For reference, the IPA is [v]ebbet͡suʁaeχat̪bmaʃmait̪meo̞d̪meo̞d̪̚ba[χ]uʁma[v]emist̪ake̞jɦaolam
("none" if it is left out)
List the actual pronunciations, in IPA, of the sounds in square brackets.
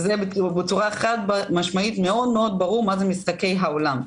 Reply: z, ʁ, z

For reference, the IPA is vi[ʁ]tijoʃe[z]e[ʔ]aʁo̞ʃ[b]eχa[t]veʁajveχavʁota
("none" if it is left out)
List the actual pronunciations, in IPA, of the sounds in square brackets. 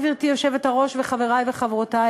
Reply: ʁ, v, t, v, none

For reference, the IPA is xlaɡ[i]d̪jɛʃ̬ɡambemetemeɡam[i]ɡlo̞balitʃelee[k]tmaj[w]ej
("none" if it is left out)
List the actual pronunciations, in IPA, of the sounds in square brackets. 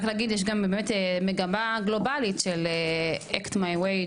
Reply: i, a, k, w

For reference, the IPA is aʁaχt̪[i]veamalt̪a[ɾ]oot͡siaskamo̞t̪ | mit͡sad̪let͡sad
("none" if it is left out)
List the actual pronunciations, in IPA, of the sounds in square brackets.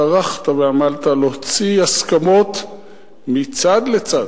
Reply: a, l

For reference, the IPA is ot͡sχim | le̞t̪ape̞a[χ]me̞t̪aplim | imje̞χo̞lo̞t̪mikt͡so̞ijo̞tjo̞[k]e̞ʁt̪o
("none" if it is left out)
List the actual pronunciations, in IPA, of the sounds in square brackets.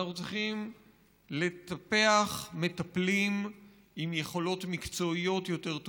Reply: χ, t

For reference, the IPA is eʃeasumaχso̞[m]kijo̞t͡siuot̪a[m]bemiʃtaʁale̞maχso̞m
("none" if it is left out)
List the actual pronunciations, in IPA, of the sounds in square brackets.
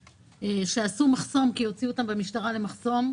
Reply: m, m

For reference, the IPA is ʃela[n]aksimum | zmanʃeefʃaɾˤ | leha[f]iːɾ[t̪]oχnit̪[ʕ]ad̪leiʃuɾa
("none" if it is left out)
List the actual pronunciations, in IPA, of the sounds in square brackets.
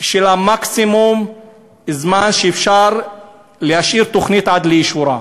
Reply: m, ʃ, t̪, ʕ

